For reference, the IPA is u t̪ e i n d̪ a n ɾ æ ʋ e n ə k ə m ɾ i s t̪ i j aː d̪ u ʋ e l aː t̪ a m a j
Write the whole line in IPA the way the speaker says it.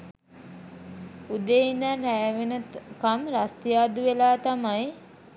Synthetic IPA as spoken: u d̪ e i n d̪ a n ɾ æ ʋ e n ə k a m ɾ a s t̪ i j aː d̪ u ʋ e l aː t̪ a m a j

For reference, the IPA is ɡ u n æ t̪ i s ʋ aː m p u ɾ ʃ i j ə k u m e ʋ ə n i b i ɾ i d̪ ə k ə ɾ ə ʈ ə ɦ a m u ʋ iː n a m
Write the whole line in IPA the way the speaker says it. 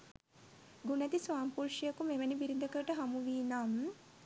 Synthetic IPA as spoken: ɡ u n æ t̪ i s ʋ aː m p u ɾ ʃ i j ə k u m e ʋ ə n i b i ɾ i d̪ ə k ə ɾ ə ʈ ə ɦ a m u ʋ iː n a m

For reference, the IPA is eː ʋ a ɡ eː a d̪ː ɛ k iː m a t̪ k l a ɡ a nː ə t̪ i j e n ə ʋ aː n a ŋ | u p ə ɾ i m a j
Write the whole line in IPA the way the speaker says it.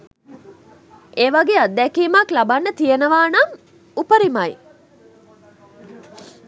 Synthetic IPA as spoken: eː ʋ a ɡ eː a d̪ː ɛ k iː m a k l a b a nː ə t̪ i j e n ə ʋ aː n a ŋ | u p ə ɾ i m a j

